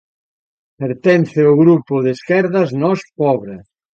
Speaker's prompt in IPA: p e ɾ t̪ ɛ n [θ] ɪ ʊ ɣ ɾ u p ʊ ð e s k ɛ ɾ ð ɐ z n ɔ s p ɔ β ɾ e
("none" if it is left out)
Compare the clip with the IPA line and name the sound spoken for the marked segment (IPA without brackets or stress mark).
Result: θ